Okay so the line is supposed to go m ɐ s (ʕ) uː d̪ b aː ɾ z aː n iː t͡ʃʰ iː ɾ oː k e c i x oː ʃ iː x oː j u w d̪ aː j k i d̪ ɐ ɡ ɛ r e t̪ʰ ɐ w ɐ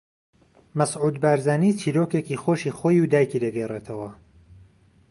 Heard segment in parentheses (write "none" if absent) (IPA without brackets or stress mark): ʕ